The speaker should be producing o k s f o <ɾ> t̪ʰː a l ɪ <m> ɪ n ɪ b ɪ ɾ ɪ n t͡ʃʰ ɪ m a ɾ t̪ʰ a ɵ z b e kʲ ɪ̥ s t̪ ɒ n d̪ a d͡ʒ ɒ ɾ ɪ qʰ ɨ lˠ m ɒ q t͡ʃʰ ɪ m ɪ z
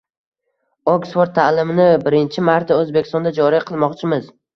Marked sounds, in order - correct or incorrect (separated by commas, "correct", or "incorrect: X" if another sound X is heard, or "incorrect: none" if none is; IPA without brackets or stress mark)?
correct, correct